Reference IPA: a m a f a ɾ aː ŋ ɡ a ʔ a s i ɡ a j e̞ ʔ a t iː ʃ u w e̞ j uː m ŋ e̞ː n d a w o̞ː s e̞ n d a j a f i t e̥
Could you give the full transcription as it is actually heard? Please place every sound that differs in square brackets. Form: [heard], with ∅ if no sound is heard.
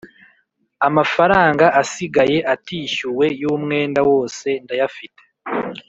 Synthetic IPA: a m a f a ɾ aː ŋ ɡ a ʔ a s i ɡ a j e̞ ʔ a t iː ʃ u w e̞ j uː m ŋ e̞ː n d a w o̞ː s e̞ n d a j a f i t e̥